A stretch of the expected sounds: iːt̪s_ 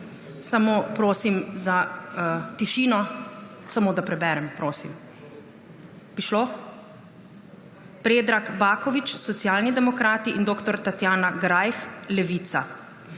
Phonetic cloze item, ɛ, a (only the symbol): a